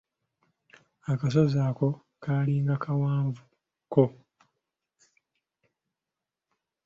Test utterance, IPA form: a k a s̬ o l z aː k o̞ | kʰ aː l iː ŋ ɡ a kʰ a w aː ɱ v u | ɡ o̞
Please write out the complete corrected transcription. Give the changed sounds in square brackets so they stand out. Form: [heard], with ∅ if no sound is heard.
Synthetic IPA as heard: a k a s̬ o [∅] z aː k o̞ | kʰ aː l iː ŋ ɡ a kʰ a w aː ɱ v u | [k] o̞